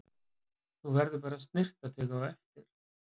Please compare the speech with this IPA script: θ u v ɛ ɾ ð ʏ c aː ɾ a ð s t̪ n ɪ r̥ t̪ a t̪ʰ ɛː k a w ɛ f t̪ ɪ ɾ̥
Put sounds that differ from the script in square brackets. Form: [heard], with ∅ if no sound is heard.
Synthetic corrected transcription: θ u v ɛ ɾ ð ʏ [p] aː ɾ a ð s t̪ n ɪ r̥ t̪ a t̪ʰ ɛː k a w ɛ f t̪ ɪ ɾ̥